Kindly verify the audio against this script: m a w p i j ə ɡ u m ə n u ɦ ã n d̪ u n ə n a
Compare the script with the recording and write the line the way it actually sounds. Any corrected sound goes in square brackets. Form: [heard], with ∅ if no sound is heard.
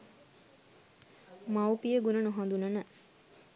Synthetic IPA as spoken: m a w p i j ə ɡ u [n] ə n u ɦ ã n d̪ u n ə n [ə]